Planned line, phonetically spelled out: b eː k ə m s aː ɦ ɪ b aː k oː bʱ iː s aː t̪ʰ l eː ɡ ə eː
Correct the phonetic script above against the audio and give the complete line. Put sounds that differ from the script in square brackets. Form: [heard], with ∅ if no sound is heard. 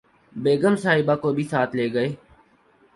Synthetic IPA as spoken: b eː [ɡ] ə m s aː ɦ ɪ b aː k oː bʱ iː s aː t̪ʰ l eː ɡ ə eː